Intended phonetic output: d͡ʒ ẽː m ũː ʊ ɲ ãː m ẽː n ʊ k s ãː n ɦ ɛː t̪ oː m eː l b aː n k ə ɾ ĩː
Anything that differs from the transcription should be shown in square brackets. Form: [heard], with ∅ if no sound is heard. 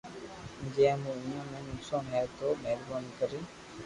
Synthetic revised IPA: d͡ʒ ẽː m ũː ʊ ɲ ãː m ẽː n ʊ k s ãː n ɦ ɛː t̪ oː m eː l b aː n k ə ɾ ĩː